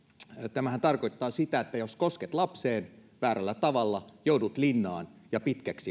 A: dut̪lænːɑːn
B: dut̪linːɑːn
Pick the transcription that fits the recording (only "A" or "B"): B